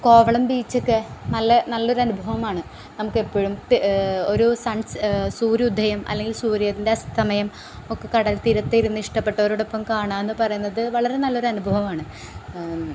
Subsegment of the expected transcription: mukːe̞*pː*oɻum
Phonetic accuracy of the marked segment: correct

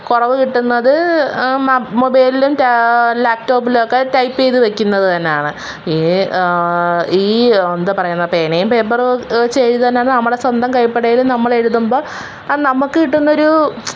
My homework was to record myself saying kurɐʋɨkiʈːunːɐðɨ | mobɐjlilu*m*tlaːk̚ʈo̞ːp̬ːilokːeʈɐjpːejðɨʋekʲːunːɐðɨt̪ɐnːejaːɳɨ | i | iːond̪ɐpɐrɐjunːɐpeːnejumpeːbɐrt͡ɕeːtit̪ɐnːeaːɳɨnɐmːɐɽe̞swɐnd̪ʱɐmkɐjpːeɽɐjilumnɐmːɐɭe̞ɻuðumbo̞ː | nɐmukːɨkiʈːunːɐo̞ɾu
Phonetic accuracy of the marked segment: correct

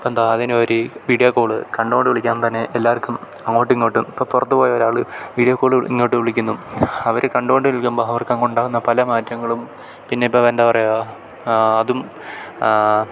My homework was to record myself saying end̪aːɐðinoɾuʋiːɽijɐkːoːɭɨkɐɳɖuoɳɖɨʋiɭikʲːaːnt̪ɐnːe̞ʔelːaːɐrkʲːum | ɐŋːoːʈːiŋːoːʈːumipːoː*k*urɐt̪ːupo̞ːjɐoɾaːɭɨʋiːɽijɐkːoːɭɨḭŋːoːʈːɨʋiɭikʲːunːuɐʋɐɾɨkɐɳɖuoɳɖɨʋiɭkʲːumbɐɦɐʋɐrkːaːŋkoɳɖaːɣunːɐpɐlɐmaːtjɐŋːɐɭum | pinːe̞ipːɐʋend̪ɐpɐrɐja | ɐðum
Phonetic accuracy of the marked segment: incorrect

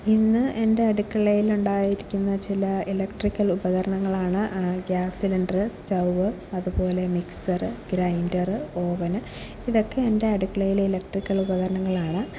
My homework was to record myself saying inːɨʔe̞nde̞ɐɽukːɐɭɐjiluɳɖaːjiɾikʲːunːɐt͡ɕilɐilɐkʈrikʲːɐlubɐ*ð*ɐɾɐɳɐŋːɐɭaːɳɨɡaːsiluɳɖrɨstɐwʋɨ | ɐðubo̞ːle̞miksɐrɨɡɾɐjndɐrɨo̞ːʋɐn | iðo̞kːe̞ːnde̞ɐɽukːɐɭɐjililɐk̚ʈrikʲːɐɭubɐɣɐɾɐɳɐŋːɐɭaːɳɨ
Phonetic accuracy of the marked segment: incorrect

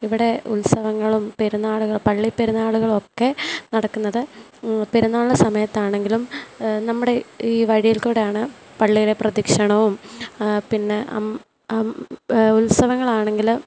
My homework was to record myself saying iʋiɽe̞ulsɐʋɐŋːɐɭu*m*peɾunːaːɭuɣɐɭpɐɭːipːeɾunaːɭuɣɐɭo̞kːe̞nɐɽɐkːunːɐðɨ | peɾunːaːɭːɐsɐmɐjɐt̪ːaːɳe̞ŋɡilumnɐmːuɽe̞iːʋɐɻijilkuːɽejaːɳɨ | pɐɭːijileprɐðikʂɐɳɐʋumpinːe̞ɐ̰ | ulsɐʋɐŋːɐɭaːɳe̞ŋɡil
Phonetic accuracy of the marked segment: correct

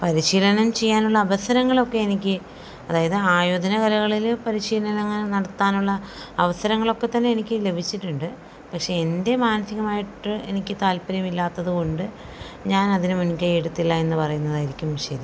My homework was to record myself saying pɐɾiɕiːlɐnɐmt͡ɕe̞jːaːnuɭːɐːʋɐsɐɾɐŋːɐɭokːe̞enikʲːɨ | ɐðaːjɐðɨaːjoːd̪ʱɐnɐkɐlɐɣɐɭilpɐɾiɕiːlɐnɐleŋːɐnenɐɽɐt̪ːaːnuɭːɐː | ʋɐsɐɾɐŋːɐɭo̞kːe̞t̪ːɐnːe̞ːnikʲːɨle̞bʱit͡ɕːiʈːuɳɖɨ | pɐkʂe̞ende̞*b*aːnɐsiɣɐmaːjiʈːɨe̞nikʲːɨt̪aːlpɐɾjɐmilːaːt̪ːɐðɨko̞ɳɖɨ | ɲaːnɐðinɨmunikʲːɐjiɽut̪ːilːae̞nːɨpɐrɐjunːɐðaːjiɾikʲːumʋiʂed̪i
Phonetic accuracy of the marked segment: incorrect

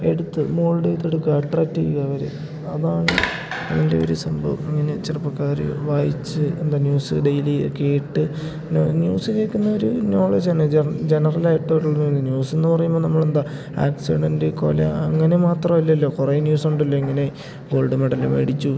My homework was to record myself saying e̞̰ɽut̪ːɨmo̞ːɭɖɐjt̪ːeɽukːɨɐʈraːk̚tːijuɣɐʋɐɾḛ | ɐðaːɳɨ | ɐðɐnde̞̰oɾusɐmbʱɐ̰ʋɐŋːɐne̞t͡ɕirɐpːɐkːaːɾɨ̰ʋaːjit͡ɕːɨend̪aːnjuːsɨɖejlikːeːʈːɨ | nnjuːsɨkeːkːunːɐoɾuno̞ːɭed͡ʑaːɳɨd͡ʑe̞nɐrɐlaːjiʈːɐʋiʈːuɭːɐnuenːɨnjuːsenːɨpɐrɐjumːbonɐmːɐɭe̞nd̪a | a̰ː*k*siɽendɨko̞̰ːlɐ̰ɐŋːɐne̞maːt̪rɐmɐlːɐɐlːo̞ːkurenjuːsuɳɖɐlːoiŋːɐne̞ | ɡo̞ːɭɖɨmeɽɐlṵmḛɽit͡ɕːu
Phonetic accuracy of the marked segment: correct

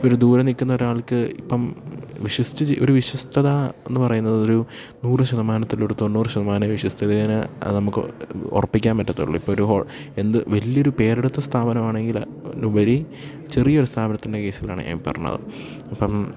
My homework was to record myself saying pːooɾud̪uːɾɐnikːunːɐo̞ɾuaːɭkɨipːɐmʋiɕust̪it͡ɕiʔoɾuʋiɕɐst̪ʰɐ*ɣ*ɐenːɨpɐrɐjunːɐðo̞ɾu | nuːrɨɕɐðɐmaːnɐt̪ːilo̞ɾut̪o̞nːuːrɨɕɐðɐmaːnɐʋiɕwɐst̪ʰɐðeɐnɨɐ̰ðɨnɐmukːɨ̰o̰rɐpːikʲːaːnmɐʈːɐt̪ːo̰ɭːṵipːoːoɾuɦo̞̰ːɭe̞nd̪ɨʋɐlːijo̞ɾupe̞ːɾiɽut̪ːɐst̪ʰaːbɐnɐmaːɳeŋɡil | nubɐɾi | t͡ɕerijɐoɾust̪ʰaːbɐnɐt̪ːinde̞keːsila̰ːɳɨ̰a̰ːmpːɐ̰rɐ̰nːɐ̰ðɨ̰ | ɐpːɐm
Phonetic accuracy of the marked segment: incorrect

